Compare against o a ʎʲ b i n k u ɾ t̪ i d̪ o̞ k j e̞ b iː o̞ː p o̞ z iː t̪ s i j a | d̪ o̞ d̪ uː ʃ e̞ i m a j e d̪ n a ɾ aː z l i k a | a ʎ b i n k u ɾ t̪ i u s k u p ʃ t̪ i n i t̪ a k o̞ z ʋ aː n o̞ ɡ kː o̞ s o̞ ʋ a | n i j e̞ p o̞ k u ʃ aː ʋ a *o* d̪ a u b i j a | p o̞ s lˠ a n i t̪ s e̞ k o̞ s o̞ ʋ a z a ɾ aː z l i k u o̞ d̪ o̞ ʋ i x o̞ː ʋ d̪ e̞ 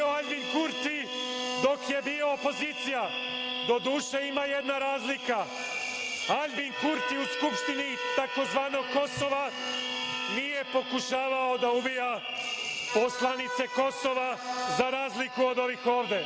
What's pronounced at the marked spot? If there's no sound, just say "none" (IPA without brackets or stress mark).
o